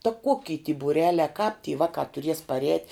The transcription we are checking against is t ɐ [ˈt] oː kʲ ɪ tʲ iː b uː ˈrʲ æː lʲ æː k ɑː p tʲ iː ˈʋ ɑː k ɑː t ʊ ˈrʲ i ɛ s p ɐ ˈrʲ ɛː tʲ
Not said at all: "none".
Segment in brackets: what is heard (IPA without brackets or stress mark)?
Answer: k